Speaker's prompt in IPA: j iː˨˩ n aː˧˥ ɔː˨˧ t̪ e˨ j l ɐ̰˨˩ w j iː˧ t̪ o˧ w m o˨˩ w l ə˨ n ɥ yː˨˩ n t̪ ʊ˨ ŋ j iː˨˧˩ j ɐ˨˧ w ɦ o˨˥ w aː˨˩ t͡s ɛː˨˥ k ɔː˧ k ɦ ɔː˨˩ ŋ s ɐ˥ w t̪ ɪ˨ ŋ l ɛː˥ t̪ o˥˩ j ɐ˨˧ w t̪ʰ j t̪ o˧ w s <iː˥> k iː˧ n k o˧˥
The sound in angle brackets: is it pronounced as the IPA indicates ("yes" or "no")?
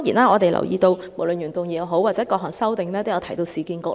no